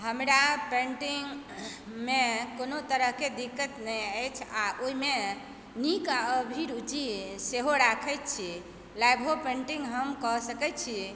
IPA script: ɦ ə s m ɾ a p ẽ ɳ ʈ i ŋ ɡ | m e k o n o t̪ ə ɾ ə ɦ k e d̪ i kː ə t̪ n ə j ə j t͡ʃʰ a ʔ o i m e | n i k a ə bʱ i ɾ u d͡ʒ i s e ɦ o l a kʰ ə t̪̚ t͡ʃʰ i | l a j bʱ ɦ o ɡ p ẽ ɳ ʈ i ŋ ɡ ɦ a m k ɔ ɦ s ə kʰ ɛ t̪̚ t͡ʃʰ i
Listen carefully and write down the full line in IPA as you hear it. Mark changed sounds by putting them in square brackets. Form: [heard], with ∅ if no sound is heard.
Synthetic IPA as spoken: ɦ ə [∅] m ɾ a p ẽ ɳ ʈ i ŋ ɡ | m e k o n o t̪ ə ɾ ə ɦ k e d̪ i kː ə t̪ n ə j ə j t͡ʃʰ a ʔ o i m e | n i k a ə bʱ i ɾ u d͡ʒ i s e ɦ o [ɾ] a kʰ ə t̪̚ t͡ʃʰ i | l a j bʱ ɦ o [∅] p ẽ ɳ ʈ i ŋ ɡ ɦ [ə] m k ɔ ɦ s ə [k] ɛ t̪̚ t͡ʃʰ i